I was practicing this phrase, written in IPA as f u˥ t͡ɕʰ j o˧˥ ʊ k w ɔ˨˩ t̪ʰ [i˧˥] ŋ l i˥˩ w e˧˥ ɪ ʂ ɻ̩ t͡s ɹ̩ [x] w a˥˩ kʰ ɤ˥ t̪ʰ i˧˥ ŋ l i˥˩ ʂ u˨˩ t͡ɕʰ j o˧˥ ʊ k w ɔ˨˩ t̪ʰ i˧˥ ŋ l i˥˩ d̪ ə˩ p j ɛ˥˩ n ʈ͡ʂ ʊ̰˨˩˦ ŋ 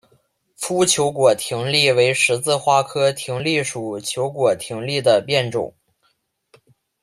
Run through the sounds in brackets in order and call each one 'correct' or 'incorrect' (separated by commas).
correct, correct